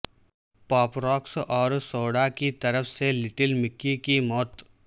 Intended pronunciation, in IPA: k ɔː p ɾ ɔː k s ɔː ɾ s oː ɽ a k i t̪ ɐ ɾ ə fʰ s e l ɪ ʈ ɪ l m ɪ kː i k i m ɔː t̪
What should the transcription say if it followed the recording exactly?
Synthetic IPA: p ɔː p ɾ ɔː k s ɔː ɾ s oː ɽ a k i t̪ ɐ ɾ ə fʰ s e l ɪ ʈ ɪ l m ɪ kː i k i m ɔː t̪